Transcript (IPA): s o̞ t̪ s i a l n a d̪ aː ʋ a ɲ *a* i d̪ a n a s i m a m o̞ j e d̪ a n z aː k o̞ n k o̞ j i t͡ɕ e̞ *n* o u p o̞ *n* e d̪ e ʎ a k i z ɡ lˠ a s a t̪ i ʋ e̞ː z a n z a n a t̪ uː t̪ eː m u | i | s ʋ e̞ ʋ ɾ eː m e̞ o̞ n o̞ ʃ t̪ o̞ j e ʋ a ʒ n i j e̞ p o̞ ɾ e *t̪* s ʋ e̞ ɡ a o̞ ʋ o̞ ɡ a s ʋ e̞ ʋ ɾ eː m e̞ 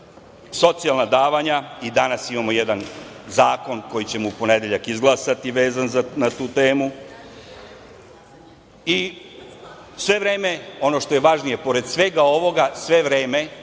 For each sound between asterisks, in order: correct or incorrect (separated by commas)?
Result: correct, incorrect, correct, incorrect